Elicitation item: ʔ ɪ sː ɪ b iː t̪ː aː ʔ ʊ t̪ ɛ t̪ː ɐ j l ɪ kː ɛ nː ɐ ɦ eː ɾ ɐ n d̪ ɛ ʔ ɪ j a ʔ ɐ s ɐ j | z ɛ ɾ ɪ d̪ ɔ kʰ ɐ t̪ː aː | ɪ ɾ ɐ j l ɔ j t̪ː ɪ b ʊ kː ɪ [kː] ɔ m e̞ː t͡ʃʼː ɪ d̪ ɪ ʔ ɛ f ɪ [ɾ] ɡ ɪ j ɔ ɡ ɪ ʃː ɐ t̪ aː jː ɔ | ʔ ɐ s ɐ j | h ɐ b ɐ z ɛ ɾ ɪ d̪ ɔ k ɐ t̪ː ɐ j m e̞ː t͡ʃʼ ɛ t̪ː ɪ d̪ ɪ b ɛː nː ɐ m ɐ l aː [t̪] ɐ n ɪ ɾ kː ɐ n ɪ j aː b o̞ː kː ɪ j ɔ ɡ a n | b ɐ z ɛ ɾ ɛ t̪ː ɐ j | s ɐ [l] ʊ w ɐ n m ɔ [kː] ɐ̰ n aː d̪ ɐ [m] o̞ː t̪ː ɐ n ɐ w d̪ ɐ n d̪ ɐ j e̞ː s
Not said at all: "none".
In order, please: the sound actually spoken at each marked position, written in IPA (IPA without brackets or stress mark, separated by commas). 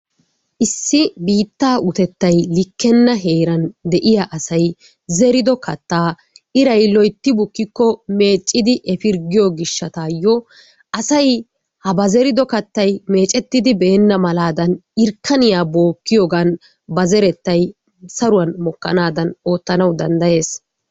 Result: kː, ɾ, d̪, ɾ, kː, n